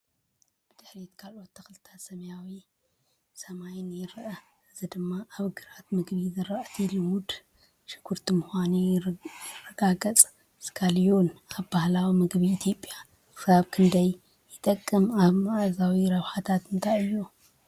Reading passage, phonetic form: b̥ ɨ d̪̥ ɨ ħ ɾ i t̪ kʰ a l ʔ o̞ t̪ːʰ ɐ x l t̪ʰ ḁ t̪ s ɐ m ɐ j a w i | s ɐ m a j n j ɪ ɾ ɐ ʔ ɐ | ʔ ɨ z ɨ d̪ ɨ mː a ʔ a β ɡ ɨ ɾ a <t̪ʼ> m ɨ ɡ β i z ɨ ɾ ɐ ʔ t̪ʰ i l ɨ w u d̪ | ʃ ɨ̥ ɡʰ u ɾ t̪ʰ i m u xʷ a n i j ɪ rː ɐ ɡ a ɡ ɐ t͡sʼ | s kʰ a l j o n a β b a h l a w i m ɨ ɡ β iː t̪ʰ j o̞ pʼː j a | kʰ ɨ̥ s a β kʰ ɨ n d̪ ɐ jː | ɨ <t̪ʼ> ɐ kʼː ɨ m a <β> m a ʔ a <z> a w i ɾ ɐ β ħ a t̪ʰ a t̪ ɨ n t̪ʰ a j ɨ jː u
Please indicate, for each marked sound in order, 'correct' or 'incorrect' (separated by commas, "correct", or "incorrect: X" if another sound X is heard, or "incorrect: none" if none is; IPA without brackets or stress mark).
incorrect: t̪, correct, correct, correct